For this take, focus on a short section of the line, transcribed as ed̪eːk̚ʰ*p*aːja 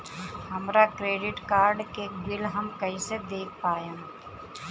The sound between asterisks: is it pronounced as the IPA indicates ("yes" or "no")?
yes